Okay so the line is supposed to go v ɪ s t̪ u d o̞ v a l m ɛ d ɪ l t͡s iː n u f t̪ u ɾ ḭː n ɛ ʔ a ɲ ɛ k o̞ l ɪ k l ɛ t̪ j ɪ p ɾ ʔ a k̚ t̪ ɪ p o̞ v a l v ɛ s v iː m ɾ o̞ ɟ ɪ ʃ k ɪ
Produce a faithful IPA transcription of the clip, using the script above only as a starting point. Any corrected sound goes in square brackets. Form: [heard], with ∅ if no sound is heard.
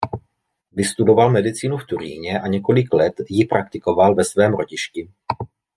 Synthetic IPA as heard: v ɪ s t̪ u d o̞ v a l m ɛ d ɪ [∅] t͡s iː n u f t̪ u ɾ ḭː [ɲ] ɛ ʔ a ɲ ɛ k o̞ l ɪ k l ɛ t̪ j ɪ p ɾ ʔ a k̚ t̪ ɪ [k] o̞ v a l v ɛ s v [ɛː] m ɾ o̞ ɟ ɪ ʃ [c] ɪ